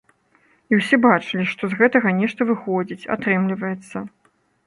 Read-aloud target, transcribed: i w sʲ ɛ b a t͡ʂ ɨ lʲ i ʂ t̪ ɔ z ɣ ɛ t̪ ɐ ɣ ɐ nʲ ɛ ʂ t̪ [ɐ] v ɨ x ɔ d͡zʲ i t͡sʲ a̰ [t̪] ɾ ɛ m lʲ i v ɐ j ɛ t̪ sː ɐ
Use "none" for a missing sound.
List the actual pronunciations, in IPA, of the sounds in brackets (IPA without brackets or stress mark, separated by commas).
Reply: ɐ, t̪